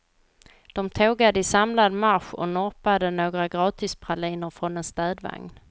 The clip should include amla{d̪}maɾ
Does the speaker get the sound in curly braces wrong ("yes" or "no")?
no